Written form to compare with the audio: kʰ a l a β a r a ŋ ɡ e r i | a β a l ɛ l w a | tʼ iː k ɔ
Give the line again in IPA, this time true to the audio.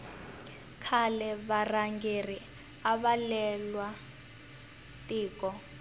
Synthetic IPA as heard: kʰ a l ɛ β a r a ŋ ɡ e r i | a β a l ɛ l w a | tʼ iː k ɔ